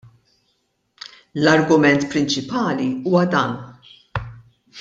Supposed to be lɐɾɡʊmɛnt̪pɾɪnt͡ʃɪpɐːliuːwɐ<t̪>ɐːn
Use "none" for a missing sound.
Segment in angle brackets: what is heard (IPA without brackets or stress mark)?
d̪